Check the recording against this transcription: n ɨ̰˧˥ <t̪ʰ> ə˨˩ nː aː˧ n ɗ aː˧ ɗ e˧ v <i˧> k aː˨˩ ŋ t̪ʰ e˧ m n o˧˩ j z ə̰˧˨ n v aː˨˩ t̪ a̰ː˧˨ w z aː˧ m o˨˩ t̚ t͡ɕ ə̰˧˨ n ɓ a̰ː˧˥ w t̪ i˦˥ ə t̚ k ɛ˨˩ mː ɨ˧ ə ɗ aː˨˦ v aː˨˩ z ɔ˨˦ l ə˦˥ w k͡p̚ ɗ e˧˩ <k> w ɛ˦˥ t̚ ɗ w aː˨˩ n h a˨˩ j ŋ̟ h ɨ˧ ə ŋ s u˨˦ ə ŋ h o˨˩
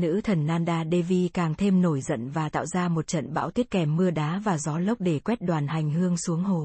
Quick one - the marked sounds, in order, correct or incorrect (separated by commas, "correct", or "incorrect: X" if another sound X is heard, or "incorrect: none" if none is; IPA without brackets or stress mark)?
correct, correct, correct